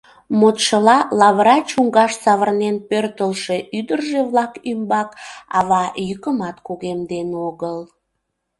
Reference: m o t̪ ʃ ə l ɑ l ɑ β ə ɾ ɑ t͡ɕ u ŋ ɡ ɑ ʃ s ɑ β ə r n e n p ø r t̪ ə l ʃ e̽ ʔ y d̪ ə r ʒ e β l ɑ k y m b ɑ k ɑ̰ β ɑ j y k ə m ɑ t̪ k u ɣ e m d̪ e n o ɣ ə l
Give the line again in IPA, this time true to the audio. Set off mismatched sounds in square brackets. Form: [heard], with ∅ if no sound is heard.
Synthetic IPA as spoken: m o t̪ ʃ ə l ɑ l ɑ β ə ɾ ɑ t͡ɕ u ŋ ɡ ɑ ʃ s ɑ β ə r n e n p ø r t̪ ə l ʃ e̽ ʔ y d̪ ə r ʒ e β l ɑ k y m b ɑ k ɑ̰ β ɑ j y k ə m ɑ t̪ k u ɣ e m d̪ e n o ɣ ə l